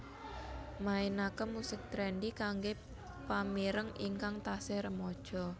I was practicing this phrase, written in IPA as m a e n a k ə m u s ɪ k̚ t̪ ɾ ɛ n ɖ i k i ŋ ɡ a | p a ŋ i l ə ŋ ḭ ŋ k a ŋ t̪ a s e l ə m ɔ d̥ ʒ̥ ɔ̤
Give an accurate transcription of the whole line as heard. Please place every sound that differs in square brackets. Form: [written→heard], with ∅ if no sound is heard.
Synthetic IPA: m a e n a k ə m u s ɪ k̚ t̪ ɾ ɛ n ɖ i k [i→a] ŋ ɡ [a→e] | p a [ŋ→m] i [l→ɾ] ə ŋ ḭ ŋ k a ŋ t̪ a s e [l→ɾ] ə m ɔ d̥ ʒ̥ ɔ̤

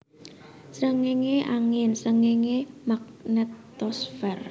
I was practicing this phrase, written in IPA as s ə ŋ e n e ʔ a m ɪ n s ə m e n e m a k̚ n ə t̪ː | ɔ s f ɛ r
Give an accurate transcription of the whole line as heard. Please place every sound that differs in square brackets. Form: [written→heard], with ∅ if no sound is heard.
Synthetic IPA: s ə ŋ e [n→ŋ] e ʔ a [m→ŋ] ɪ n s ə [m→ŋ] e [n→ŋ] e m a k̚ n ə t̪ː | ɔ s f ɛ r

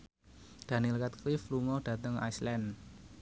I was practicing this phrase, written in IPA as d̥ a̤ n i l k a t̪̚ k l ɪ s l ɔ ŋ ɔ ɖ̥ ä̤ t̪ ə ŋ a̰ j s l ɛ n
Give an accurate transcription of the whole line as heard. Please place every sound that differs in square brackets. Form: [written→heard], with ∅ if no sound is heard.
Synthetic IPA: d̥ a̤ n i l k a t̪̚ k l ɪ [s→f] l [ɔ→u] ŋ ɔ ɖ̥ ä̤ t̪ ə ŋ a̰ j s l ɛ n

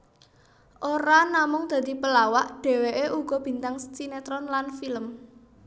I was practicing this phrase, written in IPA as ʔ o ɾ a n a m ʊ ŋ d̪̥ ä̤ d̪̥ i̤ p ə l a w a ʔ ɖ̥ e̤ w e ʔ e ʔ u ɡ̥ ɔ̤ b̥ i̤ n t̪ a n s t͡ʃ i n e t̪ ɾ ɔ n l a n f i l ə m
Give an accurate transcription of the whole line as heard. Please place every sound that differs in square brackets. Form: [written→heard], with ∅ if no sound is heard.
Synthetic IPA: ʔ o ɾ a n a m ʊ ŋ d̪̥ ä̤ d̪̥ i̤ p ə l a w a ʔ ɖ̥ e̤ w e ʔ e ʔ u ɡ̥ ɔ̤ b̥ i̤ n t̪ a [n→ŋ] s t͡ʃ i n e t̪ ɾ ɔ n l a n f i l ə m

